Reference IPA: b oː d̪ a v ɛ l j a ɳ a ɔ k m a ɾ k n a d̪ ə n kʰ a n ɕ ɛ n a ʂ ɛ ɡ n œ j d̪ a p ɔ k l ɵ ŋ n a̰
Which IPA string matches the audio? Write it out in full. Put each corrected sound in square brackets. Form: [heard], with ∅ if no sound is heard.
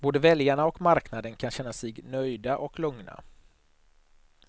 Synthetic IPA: b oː d̪ [ə] v ɛ l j a ɳ a ɔ k m a ɾ k n a d̪ ə n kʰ a n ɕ ɛ [nː] a [s] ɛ ɡ n œ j d̪ a [ʔ] ɔ k l ɵ ŋ n a̰